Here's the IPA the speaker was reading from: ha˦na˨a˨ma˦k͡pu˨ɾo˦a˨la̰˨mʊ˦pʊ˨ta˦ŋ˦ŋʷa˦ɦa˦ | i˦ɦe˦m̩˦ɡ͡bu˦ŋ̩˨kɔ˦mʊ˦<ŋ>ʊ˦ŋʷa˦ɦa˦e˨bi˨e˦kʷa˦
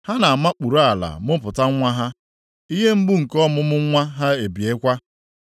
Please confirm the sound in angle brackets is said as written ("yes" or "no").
no